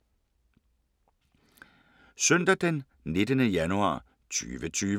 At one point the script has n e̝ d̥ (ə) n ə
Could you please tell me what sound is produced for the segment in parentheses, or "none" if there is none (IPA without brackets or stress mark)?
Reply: ə